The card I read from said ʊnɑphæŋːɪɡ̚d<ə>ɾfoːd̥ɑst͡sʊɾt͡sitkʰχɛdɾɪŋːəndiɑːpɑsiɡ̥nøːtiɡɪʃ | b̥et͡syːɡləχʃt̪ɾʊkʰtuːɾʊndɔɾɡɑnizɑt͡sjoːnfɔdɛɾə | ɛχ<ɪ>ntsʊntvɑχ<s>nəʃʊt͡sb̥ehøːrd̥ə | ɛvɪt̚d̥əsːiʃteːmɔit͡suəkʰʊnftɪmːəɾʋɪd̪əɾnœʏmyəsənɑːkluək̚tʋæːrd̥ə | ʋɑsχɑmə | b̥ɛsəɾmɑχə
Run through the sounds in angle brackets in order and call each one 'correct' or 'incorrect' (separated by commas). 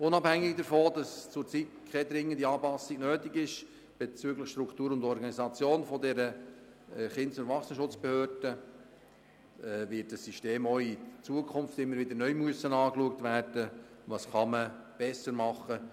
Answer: correct, correct, correct